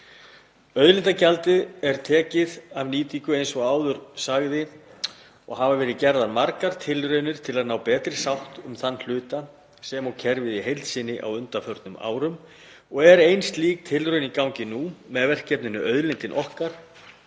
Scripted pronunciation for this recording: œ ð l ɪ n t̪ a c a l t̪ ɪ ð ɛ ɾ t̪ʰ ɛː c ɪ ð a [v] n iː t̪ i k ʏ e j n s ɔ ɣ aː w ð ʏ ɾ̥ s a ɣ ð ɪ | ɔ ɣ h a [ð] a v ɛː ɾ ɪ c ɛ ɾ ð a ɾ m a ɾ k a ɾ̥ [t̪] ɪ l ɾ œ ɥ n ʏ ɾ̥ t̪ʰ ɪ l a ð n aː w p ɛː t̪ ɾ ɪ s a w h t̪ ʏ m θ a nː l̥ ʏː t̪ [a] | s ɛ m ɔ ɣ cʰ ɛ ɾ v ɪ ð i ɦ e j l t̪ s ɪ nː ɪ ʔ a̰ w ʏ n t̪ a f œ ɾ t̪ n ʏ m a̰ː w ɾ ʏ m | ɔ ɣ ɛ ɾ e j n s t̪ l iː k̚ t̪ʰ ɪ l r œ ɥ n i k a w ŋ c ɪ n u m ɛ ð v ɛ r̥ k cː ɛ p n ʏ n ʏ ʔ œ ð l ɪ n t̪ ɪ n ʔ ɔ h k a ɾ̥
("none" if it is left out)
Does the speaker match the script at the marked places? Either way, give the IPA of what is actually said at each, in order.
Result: v, v, t̪ʰ, a

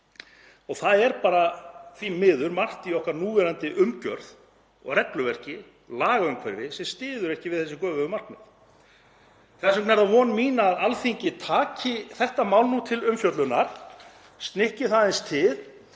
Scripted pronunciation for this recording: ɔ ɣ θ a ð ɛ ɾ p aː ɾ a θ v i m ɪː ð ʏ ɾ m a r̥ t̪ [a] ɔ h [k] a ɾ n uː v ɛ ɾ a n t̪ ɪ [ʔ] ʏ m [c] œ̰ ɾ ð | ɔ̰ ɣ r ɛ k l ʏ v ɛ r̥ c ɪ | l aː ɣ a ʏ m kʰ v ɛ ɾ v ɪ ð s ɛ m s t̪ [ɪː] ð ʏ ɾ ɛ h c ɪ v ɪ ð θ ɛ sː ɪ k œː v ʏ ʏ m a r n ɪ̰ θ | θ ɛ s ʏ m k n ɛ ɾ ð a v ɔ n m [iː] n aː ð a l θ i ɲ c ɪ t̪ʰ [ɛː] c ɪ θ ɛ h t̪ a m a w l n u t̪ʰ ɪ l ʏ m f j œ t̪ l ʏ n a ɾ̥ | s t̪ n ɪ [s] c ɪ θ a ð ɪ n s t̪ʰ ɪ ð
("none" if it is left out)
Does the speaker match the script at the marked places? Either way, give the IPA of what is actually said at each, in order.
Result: i, k, ʔ, c, ɪː, iː, aː, h

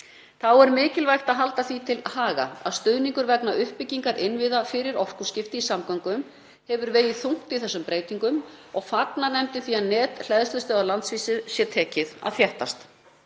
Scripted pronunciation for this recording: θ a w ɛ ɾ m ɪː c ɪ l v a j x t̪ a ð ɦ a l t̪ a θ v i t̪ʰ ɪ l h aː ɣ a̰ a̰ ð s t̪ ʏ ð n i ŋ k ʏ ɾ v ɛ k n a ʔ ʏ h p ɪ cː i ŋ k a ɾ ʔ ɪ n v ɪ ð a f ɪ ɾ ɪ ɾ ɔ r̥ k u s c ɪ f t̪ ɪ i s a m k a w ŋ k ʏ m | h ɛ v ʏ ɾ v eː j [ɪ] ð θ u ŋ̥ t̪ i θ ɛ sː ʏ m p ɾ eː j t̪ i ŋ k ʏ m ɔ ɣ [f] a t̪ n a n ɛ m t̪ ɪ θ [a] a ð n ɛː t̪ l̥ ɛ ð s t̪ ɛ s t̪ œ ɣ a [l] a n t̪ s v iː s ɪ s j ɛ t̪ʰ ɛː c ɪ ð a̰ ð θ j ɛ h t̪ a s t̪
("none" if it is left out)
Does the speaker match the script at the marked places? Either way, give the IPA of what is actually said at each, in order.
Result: ɪ, f, i, l

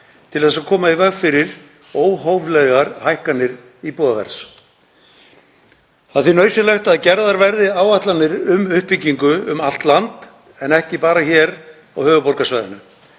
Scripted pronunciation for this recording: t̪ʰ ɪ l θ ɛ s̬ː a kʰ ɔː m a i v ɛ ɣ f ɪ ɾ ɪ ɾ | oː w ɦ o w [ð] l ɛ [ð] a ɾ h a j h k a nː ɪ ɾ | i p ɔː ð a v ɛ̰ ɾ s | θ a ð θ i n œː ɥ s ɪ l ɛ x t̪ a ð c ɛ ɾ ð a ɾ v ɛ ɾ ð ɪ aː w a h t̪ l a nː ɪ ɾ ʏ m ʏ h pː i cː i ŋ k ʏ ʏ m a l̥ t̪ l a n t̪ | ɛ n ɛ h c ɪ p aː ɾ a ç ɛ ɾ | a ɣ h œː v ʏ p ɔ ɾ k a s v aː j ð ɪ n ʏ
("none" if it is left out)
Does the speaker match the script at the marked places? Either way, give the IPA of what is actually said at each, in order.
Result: v, ɣ

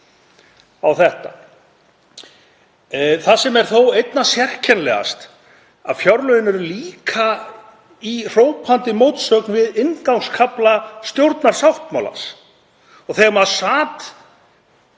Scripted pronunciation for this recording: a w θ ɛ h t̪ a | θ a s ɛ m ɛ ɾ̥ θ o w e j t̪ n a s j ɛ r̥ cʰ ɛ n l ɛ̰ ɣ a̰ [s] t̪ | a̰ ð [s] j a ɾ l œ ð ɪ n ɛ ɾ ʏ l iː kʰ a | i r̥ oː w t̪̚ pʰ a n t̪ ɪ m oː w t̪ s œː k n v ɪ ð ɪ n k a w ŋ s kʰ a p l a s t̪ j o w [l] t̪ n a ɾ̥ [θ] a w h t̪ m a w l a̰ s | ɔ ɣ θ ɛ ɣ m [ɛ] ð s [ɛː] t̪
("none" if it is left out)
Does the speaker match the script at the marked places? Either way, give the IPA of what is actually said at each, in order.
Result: s, f, ɾ, s, a, aː

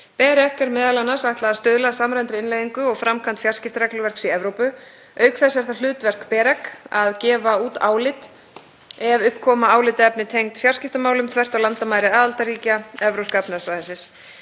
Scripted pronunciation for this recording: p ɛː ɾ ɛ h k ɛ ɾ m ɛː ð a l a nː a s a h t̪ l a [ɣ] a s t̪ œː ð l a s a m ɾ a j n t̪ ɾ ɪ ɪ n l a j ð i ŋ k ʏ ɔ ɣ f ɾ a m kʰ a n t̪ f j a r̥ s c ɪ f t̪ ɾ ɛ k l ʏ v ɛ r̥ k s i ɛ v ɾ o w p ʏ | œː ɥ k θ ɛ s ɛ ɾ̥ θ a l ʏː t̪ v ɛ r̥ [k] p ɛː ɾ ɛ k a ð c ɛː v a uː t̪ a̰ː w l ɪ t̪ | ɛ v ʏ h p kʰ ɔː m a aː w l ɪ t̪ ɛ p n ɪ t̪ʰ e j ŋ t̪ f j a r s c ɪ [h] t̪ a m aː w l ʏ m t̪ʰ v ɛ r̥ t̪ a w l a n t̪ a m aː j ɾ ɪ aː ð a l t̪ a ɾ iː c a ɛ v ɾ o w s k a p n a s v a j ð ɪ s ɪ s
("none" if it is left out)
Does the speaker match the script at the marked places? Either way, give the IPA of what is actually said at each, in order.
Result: ð, k, f

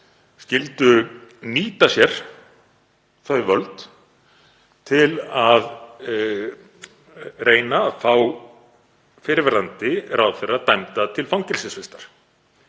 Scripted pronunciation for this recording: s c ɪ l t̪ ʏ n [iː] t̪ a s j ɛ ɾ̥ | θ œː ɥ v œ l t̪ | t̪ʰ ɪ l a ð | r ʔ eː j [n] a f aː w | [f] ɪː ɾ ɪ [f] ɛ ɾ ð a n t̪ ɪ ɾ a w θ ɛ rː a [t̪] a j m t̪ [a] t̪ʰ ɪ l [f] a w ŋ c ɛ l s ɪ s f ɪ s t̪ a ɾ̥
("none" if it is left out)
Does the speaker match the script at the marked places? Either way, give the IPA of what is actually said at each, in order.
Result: iː, n, f, v, t̪, a, f

